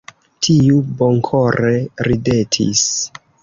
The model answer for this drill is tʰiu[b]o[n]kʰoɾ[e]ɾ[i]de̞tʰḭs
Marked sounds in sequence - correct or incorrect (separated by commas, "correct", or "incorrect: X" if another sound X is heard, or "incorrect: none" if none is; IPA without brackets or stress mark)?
correct, incorrect: ŋ, correct, correct